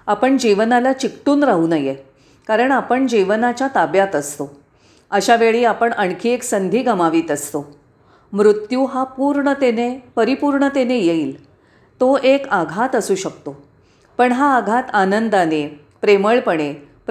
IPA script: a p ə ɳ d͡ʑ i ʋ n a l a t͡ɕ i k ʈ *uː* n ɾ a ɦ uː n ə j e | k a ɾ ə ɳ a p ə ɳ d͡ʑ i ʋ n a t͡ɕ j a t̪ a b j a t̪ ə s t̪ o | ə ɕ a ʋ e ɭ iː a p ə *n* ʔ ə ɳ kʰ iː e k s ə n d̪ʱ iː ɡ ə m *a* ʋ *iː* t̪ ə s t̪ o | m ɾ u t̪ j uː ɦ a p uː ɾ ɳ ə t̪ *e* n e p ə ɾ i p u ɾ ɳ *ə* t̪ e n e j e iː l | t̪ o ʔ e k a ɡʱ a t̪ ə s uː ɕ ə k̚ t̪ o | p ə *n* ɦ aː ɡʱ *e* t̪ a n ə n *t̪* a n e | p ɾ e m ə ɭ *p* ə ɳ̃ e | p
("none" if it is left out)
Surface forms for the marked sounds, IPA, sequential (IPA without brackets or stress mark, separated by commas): uː, ɳ, a, iː, e, ə, ɳ, a, d̪, p